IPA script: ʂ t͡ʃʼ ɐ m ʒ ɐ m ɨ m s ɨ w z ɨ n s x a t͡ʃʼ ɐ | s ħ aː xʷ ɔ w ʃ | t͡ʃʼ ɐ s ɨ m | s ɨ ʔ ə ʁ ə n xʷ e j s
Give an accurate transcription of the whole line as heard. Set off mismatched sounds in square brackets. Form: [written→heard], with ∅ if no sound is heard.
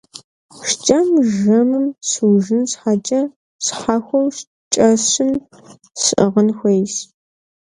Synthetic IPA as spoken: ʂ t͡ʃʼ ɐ m ʒ ɐ m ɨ m s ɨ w [z→ʒ] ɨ n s [x→ħ] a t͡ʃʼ ɐ | s ħ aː xʷ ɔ w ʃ | t͡ʃʼ ɐ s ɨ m | s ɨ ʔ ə ʁ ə n xʷ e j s